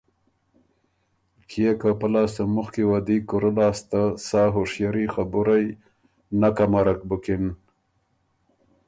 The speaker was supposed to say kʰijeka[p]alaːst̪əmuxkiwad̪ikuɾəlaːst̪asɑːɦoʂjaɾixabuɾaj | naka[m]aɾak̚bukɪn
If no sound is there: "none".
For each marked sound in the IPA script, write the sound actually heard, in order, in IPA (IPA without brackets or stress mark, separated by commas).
p, m